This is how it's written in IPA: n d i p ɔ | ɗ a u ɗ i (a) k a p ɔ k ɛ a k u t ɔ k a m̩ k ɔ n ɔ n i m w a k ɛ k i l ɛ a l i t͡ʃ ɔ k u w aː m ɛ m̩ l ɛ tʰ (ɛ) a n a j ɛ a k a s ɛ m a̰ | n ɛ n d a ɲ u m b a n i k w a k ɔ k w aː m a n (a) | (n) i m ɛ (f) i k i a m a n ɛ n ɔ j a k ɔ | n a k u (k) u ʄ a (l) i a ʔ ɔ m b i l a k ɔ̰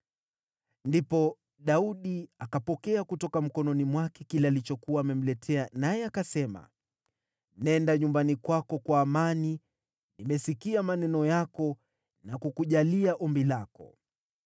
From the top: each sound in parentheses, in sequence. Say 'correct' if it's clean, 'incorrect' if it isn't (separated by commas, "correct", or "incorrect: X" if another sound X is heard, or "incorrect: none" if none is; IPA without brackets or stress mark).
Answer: correct, correct, incorrect: i, correct, incorrect: s, correct, correct